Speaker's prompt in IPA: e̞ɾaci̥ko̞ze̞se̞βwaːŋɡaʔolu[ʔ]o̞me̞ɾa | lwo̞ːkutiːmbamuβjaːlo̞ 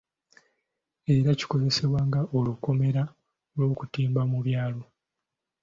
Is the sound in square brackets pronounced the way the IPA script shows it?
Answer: no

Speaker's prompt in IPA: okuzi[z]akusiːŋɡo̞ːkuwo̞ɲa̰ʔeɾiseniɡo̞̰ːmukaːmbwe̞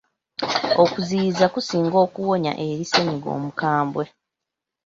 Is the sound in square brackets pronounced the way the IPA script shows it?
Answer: yes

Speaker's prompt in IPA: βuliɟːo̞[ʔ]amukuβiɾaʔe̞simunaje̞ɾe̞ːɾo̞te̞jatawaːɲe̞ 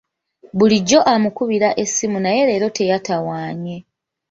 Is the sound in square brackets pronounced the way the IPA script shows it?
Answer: yes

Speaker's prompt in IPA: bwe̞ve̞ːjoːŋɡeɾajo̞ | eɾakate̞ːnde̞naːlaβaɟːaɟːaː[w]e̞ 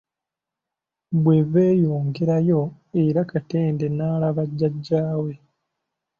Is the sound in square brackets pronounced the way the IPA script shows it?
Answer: yes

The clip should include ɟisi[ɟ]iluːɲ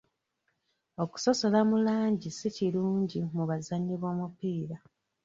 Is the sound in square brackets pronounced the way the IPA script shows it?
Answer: no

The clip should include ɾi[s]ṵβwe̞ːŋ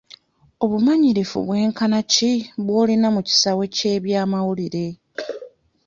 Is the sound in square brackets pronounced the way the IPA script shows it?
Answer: no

